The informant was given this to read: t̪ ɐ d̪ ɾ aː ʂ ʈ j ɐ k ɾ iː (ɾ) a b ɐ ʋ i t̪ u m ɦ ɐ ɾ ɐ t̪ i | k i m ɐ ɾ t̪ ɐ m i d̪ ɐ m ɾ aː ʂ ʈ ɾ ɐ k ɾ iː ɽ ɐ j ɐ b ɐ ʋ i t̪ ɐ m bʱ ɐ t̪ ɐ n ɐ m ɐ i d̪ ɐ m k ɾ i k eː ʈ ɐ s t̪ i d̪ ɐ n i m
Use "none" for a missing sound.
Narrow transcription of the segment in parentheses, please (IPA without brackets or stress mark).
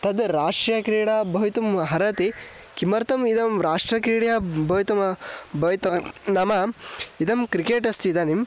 ɽ